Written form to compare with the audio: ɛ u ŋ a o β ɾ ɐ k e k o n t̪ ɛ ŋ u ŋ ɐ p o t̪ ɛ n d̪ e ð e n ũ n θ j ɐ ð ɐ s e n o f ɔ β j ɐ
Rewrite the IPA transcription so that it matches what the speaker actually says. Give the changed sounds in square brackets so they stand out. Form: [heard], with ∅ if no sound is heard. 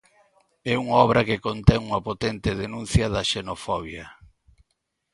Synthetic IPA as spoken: ɛ u ŋ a [ɔ] β ɾ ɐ k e k o n t̪ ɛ ŋ u ŋ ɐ p o t̪ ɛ n [t̪] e ð e n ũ n θ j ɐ ð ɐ [ʃ] e n o f ɔ β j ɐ